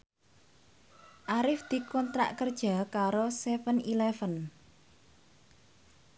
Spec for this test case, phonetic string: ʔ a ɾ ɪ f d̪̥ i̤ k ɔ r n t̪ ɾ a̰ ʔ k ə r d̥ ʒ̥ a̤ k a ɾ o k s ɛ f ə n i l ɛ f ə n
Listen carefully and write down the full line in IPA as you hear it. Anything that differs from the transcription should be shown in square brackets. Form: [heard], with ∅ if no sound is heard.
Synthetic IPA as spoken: ʔ a ɾ ɪ f d̪̥ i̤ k ɔ [∅] n t̪ ɾ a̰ ʔ k ə r d̥ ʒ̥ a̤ k a ɾ o [∅] s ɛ f ə n i l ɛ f ə n